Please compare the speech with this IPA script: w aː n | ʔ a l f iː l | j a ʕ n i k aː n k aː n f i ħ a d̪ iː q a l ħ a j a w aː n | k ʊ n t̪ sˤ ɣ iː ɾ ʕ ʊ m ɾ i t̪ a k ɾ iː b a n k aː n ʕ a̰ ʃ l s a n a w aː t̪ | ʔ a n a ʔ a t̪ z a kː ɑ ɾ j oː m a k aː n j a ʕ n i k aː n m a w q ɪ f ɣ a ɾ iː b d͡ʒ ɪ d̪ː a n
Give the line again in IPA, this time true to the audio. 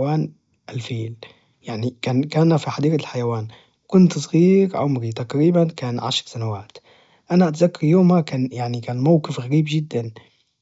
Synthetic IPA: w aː n | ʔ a l f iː l | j a ʕ n i k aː n k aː n f i ħ a d̪ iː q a l ħ a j a w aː n | k ʊ n t̪ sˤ ɣ iː ɾ ʕ ʊ m ɾ i t̪ a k ɾ iː b a n k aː n ʕ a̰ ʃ ɾ s a n a w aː t̪ | ʔ a n a ʔ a t̪ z a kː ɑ ɾ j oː m a k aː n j a ʕ n i k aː n m a w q ɪ f ɣ a ɾ iː b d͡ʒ ɪ d̪ː a n